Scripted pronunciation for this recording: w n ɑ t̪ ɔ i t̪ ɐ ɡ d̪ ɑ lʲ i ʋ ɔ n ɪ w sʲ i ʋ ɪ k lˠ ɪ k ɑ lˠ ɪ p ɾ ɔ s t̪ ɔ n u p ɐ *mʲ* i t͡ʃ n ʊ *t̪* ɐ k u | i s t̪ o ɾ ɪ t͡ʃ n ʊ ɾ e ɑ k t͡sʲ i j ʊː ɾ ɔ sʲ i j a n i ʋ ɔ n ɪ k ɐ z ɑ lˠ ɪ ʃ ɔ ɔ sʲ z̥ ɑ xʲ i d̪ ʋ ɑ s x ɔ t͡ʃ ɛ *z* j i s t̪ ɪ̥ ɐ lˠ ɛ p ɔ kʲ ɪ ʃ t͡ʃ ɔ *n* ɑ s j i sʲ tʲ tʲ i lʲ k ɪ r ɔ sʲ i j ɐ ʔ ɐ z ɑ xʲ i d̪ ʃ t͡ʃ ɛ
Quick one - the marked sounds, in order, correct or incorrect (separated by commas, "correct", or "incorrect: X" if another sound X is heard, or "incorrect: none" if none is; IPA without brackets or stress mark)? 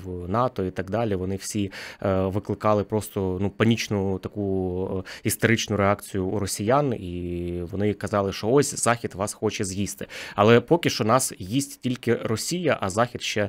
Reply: incorrect: nʲ, correct, correct, correct